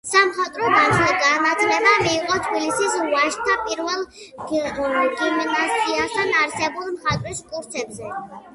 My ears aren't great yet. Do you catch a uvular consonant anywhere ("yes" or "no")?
yes